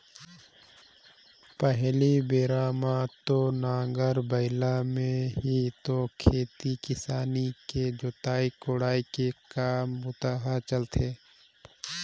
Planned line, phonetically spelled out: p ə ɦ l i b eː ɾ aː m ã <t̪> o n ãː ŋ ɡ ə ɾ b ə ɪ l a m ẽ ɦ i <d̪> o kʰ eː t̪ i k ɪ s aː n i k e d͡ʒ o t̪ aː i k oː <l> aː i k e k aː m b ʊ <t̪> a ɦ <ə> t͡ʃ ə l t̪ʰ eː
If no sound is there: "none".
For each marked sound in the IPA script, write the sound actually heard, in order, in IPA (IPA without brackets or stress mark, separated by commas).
t̪, t̪, ɽ, t̪, a